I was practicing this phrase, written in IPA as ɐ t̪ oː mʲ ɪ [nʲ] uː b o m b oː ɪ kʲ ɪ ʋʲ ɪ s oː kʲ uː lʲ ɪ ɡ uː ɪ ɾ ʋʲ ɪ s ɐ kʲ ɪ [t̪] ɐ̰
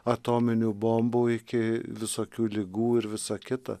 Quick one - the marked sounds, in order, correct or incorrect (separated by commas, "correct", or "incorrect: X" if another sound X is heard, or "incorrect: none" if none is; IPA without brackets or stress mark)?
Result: correct, correct